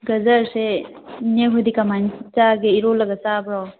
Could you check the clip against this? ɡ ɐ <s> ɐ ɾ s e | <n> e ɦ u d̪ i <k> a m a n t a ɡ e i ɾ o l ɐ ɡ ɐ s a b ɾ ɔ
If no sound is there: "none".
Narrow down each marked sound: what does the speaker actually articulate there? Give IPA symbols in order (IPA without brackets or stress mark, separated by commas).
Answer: z, n, k